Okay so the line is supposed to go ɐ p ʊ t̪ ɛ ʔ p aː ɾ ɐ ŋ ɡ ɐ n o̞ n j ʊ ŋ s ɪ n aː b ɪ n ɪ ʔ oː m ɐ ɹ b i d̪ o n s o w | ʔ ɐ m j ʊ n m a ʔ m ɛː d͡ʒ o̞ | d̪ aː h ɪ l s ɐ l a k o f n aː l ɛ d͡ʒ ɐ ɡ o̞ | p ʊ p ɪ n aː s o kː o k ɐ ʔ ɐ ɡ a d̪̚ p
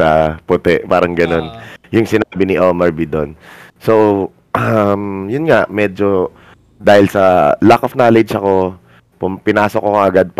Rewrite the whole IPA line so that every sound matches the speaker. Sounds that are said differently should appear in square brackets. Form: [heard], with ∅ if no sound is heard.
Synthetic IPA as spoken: ɐ p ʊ t̪ ɛ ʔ p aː ɾ ɐ ŋ ɡ ɐ n o̞ n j ʊ ŋ s ɪ n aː b ɪ n ɪ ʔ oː m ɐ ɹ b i d̪ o n s o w | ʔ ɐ m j ʊ n [ŋ] a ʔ m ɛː d͡ʒ o̞ | d̪ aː h ɪ l s ɐ l a k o f n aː l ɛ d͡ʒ ɐ [k] o̞ | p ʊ p ɪ n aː s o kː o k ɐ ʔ ɐ ɡ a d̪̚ p